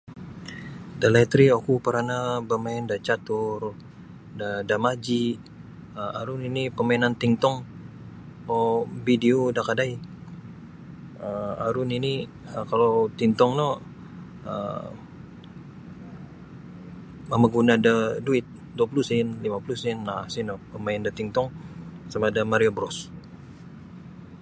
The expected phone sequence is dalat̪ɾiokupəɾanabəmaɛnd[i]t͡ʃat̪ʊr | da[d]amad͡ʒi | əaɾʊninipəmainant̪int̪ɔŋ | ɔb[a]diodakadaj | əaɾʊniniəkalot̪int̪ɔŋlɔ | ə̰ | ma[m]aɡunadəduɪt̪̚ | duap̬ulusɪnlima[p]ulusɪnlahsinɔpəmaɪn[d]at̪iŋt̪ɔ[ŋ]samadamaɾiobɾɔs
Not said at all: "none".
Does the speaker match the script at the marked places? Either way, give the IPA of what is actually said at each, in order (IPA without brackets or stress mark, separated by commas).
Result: a, d, i, m, p, d, ŋ